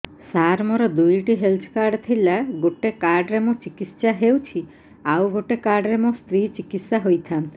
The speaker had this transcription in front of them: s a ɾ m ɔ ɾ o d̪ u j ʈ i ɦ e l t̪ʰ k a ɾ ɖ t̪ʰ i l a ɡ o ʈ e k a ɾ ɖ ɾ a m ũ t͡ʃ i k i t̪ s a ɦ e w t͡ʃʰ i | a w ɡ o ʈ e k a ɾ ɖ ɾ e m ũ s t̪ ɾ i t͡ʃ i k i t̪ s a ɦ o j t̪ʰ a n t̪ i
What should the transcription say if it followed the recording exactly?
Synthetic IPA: s a ɾ m ɔ ɾ ɔ d̪ u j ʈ i ɦ e l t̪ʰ k a ɾ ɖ t̪ʰ i l a ɡ o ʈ e k a ɾ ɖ ɾ e m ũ t͡ʃ i k i t̪ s a ɦ e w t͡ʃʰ i | a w ɡ o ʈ e k a ɾ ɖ ɾ e m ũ s t̪ ɾ i t͡ʃ i k i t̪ s a ɦ o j t̪ʰ a n t̪ i